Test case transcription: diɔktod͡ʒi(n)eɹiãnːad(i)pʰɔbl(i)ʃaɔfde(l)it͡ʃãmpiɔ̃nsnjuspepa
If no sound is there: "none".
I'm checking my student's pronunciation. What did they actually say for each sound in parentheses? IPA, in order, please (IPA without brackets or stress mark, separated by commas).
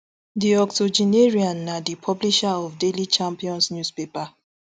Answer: n, i, i, l